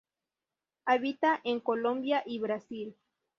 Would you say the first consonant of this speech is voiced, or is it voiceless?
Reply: voiced